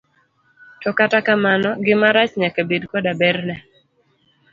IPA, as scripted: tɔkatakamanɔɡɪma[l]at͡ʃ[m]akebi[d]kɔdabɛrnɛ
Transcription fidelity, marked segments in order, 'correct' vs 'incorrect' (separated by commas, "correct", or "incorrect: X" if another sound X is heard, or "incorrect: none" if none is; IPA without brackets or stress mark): incorrect: ɾ, incorrect: ɲ, correct